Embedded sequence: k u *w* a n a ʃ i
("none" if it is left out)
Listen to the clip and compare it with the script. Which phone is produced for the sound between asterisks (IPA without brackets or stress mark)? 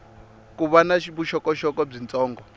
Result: β